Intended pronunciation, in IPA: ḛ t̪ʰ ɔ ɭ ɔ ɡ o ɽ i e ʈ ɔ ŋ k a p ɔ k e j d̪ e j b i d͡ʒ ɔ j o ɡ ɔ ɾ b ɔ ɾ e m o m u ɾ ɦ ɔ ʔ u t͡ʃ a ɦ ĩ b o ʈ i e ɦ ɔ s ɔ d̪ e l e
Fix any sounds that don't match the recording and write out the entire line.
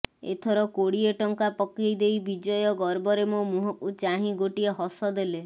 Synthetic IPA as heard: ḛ t̪ʰ ɔ ɾ ɔ k o ɽ i e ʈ ɔ ŋ k a p ɔ k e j d̪ e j b i d͡ʒ ɔ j ɔ ɡ ɔ ɾ b ɔ ɾ e m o m u ɦ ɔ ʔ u t͡ʃ a ɦ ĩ ɡ o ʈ i e ɦ ɔ s ɔ d̪ e l e